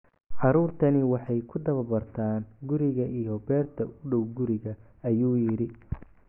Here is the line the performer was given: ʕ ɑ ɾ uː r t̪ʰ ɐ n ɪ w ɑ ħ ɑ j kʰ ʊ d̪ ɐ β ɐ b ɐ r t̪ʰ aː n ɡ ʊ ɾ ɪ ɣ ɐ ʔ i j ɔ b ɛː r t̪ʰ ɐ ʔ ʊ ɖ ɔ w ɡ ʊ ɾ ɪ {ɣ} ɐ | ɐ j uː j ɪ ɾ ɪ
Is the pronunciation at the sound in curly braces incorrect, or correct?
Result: correct